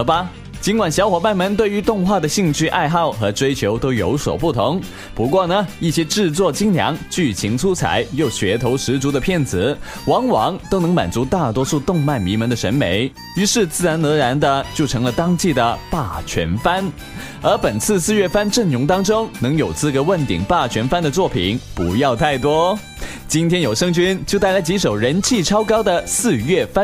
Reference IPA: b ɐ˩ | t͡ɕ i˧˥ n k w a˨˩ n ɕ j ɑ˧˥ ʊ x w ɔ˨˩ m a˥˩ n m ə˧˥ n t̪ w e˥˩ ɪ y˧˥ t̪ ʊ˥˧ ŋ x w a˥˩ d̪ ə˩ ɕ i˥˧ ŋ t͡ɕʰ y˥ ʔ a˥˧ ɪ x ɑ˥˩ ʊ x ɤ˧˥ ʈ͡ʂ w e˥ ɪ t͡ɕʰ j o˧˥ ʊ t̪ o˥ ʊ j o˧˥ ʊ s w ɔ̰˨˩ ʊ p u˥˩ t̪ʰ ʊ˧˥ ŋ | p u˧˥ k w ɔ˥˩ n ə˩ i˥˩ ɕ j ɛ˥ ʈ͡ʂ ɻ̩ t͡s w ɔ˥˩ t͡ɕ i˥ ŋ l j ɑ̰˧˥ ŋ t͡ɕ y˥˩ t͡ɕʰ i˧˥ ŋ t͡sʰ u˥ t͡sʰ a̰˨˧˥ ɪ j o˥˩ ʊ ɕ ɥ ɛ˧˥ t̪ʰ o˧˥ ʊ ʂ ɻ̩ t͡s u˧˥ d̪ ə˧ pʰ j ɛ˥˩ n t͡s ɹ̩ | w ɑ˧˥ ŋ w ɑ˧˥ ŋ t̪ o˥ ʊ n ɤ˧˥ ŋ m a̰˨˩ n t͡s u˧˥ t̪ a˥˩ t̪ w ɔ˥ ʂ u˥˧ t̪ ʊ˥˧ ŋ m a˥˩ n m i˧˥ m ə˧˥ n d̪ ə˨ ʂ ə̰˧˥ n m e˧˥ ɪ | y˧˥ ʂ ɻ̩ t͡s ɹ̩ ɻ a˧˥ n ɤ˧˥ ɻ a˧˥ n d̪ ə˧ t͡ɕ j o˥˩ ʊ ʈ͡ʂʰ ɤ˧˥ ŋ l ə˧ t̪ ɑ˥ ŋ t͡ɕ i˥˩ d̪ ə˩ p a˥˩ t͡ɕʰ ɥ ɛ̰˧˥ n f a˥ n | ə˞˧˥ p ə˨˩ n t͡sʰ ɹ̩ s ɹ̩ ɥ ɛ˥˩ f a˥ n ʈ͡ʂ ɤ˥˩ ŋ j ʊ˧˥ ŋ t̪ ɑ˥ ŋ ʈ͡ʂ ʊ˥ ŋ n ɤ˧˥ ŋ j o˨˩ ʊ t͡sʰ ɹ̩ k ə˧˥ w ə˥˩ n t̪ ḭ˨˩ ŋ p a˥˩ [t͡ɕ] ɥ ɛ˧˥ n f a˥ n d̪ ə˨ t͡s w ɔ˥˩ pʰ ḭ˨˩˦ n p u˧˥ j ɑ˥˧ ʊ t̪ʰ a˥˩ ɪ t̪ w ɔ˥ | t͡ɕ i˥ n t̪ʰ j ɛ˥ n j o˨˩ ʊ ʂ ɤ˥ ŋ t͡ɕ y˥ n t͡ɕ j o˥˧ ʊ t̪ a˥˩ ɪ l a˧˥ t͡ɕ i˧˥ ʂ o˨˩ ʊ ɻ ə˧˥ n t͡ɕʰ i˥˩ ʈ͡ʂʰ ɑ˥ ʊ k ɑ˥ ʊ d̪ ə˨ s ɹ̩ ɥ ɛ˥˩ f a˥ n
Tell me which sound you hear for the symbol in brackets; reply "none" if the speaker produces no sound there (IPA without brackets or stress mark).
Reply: t͡ɕʰ